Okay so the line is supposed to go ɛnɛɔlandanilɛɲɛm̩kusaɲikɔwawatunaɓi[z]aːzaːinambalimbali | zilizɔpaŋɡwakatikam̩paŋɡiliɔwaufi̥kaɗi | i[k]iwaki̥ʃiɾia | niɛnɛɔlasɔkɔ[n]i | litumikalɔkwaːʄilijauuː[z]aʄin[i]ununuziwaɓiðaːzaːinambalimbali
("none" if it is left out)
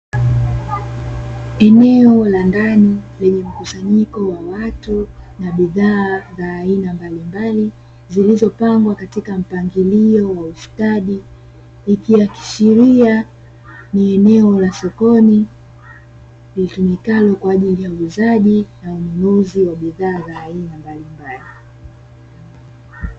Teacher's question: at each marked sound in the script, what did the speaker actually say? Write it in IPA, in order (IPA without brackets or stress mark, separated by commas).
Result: ð, k, n, z, a